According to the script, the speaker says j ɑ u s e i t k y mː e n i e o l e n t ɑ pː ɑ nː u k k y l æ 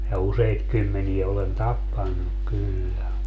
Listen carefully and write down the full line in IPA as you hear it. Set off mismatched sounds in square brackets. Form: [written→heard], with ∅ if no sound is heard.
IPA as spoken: j ɑ u s e i t k y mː e n i e o l e n t ɑ pː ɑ nː u k k y [l→lː] æ